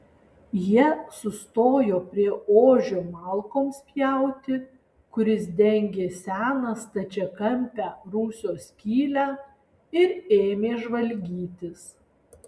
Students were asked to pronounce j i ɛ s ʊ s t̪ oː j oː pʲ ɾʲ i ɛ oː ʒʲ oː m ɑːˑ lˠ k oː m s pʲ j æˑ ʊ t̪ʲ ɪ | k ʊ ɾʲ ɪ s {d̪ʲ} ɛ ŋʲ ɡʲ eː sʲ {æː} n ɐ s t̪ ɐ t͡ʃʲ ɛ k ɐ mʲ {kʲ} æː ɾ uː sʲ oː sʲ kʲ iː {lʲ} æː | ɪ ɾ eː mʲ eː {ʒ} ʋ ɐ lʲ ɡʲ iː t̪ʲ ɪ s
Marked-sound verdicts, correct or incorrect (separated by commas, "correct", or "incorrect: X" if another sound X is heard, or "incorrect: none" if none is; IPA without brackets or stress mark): correct, correct, incorrect: pʲ, correct, correct